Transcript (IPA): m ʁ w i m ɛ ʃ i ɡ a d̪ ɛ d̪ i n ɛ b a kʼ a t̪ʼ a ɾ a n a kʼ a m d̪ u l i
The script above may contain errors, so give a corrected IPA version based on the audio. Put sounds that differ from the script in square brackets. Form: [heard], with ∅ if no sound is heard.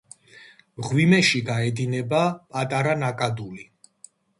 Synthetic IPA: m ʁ w i m ɛ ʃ i ɡ a [∅] ɛ d̪ i n ɛ b a [pʼ] a t̪ʼ a ɾ a n a kʼ a [∅] d̪ u l i